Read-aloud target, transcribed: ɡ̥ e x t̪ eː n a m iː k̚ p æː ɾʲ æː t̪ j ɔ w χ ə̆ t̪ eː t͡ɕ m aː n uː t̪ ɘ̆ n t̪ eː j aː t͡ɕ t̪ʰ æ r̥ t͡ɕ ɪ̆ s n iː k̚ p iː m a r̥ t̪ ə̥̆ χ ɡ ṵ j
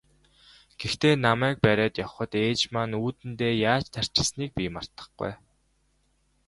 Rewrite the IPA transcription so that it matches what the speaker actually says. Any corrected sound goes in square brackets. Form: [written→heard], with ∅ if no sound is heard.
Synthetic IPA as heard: ɡ̥ e x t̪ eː n a m [iː→æː] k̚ p [æː→æ] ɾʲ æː t̪ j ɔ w χ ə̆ t̪ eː t͡ɕ m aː n uː t̪ ɘ̆ n t̪ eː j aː t͡ɕ t̪ʰ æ r̥ t͡ɕ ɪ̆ s n iː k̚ p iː m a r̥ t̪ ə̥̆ χ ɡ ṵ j